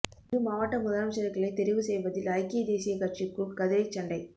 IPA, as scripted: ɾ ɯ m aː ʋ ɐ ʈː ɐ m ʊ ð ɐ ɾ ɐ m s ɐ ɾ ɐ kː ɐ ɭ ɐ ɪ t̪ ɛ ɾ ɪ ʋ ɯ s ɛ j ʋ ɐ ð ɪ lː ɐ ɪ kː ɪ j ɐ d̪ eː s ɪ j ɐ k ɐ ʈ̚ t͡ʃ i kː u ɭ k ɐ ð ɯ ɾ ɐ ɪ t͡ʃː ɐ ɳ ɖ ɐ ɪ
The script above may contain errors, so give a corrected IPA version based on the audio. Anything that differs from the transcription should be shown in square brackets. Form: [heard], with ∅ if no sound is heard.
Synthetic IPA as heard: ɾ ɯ m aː ʋ ɐ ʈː ɐ m ʊ ð ɐ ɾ ɐ m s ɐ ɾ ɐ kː ɐ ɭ ɐ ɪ t̪ ɛ ɾ ɪ ʋ ɯ s ɛ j ʋ ɐ ð ɪ [l] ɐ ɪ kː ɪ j ɐ d̪ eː s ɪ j ɐ k ɐ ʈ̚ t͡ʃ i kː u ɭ k ɐ ð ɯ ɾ ɐ ɪ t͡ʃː ɐ ɳ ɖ ɐ ɪ